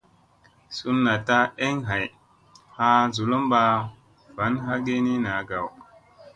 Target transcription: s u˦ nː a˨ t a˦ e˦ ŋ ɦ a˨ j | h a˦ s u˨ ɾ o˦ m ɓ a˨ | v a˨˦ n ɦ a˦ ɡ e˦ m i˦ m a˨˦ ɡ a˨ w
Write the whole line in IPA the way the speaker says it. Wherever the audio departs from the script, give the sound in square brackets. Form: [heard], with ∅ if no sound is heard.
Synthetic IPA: s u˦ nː a˨ t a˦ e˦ ŋ ɦ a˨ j | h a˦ [z] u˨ [l] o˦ m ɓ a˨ | v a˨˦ n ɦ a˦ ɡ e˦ [n] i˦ [n] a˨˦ ɡ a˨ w